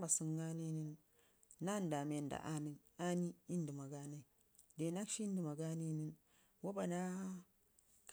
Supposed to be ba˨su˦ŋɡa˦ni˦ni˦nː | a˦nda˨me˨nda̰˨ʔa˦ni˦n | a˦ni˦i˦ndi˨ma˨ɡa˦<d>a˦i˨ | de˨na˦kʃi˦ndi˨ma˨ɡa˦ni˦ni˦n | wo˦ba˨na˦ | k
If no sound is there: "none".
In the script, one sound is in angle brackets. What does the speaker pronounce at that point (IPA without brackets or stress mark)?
n